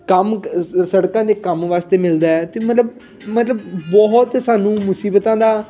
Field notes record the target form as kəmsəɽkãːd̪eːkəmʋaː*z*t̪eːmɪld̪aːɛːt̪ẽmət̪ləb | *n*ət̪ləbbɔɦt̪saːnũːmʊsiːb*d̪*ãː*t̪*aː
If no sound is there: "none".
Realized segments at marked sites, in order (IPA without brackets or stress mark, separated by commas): s, m, t̪, d̪